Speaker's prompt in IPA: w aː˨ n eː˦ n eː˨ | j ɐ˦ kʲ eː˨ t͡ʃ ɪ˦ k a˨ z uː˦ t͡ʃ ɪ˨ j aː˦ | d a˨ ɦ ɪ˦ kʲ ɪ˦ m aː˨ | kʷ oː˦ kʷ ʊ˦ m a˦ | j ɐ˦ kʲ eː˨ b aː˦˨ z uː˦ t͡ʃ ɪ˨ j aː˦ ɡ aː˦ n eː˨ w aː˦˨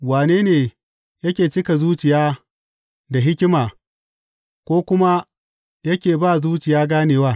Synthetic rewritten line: w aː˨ n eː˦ n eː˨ | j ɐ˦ kʲ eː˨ t͡ʃ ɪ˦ k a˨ z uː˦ t͡ʃ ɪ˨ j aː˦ | d a˨ ɦ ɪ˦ kʲ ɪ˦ m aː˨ | kʷ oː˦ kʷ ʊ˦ m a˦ | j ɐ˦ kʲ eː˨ b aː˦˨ z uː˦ t͡ʃ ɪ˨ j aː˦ ɡ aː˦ n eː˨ w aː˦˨